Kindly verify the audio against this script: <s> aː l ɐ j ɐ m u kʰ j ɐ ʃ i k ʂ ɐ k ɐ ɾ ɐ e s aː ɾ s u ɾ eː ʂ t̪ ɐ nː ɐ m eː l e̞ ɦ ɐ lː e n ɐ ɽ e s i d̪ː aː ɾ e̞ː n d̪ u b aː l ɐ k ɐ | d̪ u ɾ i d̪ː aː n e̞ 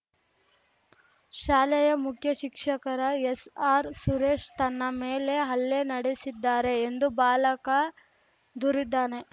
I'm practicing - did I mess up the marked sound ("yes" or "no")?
yes